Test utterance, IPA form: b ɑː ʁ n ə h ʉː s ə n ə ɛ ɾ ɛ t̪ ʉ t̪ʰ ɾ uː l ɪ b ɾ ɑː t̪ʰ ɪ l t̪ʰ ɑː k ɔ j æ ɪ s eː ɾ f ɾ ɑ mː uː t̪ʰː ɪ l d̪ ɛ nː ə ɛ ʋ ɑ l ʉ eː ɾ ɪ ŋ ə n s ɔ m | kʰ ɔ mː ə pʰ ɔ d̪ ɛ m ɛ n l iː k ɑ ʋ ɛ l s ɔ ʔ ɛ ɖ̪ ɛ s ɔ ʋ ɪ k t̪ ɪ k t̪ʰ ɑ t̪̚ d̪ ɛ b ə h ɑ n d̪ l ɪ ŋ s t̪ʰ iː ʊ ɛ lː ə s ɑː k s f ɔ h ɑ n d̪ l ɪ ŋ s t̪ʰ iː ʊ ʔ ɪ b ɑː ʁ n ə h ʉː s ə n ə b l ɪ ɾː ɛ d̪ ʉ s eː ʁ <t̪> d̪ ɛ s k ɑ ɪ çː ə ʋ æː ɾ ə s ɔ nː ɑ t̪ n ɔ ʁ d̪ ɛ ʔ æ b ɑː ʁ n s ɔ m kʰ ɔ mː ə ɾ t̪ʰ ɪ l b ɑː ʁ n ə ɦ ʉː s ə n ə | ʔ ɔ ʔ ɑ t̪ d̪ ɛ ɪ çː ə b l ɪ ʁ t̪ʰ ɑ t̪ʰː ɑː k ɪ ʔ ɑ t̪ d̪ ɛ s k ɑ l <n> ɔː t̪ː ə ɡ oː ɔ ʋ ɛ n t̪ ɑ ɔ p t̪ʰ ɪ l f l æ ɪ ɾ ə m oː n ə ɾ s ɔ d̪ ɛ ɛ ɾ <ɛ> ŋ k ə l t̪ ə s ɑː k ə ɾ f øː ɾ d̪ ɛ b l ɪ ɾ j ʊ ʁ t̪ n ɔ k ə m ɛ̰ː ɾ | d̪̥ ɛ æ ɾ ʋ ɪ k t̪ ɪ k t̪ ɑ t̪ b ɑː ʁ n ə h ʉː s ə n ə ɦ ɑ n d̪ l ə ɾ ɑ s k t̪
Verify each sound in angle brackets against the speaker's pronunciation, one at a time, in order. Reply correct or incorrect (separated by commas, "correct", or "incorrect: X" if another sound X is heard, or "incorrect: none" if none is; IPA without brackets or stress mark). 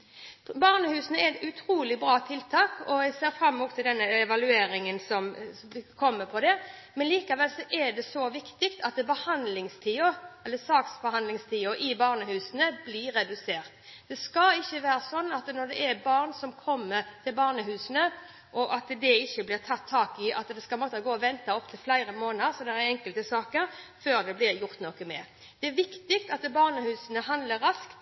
correct, incorrect: m, correct